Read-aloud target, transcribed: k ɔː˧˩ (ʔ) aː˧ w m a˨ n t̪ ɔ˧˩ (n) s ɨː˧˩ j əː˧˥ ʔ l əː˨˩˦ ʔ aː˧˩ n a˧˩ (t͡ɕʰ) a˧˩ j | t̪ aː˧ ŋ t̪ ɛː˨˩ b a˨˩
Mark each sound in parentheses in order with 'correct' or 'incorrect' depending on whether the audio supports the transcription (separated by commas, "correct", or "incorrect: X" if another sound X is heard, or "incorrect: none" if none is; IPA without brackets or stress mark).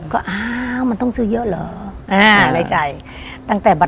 correct, incorrect: ŋ, incorrect: t͡ɕ